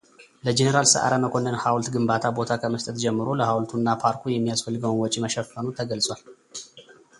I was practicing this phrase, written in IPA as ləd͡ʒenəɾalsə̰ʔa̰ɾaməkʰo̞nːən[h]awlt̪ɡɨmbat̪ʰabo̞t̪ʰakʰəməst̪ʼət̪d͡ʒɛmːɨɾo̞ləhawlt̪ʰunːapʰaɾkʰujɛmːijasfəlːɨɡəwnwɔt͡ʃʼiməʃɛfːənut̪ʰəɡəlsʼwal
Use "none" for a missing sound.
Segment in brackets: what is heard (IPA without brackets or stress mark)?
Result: h